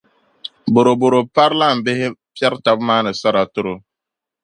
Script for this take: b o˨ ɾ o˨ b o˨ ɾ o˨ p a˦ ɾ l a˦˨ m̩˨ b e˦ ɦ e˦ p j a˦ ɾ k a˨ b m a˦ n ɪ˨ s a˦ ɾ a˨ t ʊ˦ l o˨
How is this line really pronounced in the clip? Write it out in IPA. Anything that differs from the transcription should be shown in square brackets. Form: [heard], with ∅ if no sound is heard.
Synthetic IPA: b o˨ ɾ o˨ b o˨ ɾ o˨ p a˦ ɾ l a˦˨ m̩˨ b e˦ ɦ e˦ p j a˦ ɾ [t] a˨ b m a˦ n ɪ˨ s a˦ ɾ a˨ t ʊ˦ [ɾ] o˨